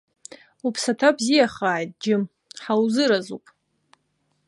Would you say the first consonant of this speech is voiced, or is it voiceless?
voiceless